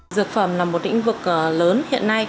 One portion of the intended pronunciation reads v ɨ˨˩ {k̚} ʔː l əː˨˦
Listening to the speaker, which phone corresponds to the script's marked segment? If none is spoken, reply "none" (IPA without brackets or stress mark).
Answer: k̚